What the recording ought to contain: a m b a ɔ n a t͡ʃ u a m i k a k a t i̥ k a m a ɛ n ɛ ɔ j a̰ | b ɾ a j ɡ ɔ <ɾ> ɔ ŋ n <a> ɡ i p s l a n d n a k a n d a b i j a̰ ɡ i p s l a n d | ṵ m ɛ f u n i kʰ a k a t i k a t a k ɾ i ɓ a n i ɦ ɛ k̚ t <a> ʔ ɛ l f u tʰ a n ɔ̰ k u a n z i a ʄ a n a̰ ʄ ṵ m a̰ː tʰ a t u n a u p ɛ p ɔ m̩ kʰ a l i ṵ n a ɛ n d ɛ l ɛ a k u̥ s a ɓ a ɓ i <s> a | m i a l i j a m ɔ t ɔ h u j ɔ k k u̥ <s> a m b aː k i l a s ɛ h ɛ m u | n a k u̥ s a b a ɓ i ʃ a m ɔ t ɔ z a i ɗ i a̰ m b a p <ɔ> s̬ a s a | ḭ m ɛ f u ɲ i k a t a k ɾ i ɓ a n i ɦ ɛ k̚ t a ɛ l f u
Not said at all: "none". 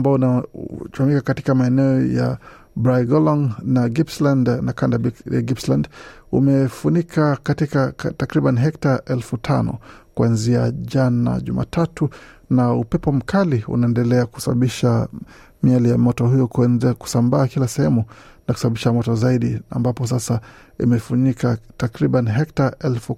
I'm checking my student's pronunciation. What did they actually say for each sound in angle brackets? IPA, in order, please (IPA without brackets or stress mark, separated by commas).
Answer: l, a, a, ʃ, s, ɔ